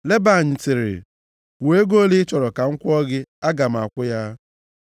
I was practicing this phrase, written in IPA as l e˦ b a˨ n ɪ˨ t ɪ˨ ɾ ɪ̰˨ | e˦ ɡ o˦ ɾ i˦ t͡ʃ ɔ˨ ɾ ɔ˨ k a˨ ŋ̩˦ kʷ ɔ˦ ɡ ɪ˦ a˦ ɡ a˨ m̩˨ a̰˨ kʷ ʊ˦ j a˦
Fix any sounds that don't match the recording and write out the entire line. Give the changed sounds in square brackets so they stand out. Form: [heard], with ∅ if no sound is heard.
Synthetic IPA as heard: l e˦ b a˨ [ɲ] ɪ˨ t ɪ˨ ɾ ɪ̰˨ | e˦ ɡ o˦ [l] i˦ t͡ʃ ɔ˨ ɾ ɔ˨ k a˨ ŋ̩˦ kʷ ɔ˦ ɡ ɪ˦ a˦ ɡ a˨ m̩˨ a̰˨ kʷ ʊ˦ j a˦